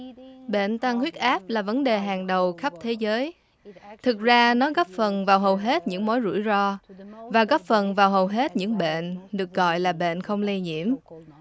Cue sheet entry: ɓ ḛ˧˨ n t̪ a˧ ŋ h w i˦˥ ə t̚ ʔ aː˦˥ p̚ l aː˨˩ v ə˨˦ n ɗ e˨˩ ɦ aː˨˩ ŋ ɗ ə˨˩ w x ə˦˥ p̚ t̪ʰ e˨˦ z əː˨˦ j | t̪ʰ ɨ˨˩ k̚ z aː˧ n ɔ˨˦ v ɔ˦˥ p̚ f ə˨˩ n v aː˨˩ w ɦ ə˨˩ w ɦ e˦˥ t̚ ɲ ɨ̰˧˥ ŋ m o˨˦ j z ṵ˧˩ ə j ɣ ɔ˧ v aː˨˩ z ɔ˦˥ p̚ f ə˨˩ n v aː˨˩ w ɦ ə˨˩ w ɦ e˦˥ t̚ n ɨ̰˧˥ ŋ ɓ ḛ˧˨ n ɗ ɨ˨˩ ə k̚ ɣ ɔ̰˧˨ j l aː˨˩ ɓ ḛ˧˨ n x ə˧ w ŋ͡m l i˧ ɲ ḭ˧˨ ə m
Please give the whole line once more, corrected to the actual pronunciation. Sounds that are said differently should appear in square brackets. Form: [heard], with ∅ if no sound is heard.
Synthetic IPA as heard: ɓ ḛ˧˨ n t̪ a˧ ŋ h w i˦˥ ə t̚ ʔ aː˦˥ p̚ l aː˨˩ v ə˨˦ n ɗ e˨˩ ɦ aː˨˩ ŋ ɗ ə˨˩ w x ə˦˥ p̚ t̪ʰ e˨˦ z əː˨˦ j | t̪ʰ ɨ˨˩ k̚ z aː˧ n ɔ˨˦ [ɣ] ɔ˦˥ p̚ f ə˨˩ n v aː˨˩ w ɦ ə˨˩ w ɦ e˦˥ t̚ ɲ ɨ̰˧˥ ŋ m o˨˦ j z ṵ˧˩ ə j [z] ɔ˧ v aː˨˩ [ɣ] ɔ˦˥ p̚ f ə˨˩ n v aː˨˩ w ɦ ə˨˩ w ɦ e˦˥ t̚ [ɲ] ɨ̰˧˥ ŋ ɓ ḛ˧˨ n ɗ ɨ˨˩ ə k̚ ɣ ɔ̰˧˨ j l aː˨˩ ɓ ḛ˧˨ n x ə˧ w ŋ͡m l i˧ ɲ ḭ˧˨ ə m